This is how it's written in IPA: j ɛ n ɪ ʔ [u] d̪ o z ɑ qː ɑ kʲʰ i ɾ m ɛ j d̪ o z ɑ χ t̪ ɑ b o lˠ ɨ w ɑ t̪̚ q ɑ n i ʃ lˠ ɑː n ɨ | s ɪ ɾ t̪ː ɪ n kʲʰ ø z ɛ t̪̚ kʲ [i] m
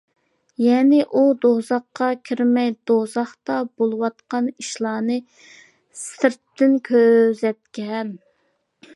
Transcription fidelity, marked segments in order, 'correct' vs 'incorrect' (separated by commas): correct, incorrect